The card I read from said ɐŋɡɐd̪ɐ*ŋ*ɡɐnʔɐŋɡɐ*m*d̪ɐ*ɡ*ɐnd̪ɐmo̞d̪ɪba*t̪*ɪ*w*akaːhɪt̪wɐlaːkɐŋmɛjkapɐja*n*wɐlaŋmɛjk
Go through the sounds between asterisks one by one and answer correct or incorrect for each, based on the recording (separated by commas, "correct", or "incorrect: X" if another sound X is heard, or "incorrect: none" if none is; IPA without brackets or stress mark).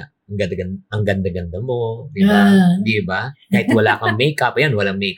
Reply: incorrect: none, incorrect: n, correct, incorrect: d̪, incorrect: b, correct